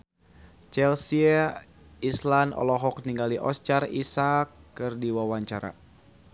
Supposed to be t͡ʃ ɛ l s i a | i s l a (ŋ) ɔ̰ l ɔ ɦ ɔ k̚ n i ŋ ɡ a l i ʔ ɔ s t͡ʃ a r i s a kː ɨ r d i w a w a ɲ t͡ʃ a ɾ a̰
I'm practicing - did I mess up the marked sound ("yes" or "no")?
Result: yes